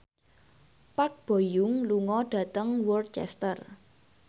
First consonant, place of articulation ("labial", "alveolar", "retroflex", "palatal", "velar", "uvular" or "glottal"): labial